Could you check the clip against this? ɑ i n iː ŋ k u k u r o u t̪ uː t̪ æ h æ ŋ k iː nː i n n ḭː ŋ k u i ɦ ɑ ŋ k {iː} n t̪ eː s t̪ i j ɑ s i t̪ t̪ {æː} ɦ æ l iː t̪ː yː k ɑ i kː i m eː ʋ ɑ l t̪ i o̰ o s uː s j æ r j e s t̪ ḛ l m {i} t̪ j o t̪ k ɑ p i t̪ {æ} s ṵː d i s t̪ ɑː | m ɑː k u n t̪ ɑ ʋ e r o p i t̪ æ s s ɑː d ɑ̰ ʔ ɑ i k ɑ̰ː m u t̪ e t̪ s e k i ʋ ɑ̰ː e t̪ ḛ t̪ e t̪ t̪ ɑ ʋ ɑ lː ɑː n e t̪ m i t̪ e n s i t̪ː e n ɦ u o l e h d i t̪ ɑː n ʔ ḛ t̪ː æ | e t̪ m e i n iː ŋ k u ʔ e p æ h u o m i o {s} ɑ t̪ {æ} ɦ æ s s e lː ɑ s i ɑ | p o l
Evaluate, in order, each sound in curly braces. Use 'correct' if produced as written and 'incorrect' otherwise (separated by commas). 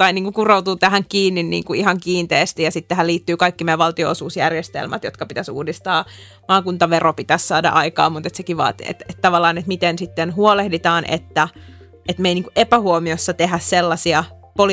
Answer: correct, incorrect, incorrect, correct, incorrect, incorrect